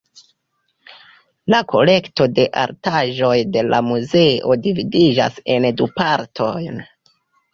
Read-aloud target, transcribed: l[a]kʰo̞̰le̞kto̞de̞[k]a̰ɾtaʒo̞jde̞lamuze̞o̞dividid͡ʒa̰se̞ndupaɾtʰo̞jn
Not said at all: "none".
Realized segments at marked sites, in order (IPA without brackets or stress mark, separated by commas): a, ʔ